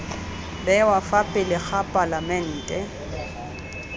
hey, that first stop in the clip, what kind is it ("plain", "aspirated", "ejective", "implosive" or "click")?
plain